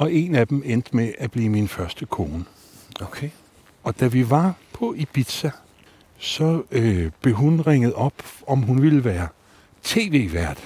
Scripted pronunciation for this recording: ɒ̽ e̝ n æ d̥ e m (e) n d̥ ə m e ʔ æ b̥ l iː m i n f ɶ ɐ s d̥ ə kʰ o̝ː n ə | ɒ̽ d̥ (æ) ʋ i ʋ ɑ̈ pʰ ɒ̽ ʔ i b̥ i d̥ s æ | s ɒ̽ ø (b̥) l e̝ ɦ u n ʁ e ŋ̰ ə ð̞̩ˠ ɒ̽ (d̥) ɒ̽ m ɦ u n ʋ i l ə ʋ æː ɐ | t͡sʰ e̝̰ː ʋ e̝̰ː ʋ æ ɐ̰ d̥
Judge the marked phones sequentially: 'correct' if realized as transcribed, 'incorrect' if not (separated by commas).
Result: correct, correct, correct, incorrect